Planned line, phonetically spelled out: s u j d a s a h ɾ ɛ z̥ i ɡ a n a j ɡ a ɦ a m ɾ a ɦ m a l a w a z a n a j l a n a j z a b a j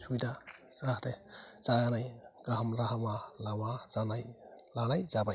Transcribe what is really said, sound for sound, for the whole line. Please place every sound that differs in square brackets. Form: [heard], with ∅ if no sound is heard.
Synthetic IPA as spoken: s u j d a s a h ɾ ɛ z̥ [a] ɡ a n a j ɡ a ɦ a m ɾ a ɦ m a l a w a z a n a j l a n a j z a b a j